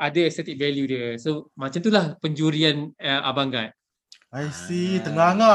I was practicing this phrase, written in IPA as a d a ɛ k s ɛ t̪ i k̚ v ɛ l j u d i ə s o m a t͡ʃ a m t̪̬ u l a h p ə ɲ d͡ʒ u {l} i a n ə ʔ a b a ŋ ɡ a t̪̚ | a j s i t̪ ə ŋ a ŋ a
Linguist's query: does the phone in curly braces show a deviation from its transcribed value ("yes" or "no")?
yes